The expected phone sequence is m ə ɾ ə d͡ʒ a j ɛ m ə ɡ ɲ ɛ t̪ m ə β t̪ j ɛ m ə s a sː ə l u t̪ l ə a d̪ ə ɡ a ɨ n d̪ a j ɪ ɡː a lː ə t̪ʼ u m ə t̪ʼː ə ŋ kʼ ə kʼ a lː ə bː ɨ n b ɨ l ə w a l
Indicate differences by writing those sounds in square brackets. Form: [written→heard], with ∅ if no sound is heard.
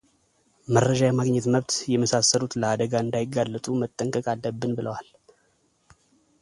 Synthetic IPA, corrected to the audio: m ə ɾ ə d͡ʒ a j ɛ m [ə→a] ɡ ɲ ɛ t̪ m ə β t̪ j ɛ m ə s a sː ə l u t̪ l ə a d̪ ə ɡ a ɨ n d̪ a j ɪ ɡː a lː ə t̪ʼ u m ə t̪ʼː ə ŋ kʼ ə kʼ a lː ə bː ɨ n b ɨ l ə w a l